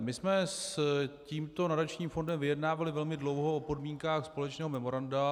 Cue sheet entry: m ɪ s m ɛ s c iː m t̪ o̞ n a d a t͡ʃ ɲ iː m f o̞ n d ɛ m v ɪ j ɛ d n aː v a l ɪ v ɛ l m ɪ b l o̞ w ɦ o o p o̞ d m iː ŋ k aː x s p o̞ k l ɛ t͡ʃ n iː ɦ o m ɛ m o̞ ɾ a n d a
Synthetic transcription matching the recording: m ɪ s m ɛ s c iː m t̪ o̞ n a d a t͡ʃ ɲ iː m f o̞ n d ɛ m v ɪ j ɛ d n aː v a l ɪ v ɛ l m ɪ d l o̞ w ɦ o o p o̞ d m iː ŋ k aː x s p o̞ l ɛ t͡ʃ n ɛː ɦ o m ɛ m o̞ ɾ a n d a